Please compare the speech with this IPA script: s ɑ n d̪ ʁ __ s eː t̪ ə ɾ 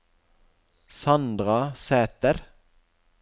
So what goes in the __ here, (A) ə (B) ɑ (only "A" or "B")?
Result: B